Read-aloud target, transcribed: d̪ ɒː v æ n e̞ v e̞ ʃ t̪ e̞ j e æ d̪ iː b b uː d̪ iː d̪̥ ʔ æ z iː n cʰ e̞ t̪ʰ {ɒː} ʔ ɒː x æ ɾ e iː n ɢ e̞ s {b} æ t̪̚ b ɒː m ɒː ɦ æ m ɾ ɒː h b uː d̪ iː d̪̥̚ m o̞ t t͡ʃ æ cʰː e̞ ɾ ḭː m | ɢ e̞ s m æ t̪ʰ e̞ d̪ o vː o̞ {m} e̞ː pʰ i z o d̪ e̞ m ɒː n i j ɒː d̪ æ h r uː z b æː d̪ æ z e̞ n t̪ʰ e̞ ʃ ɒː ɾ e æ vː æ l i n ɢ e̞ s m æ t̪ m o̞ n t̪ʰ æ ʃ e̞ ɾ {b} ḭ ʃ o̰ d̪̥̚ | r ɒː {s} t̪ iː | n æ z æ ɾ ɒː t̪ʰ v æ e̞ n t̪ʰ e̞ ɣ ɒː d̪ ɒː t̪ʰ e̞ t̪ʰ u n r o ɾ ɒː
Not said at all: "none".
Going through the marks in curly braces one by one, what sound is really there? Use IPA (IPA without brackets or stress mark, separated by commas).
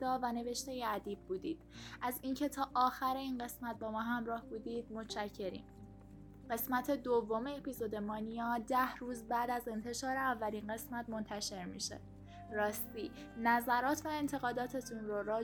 ɒː, m, m, m, s